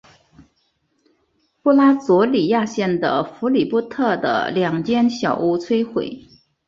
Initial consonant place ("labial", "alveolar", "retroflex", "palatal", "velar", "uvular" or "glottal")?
labial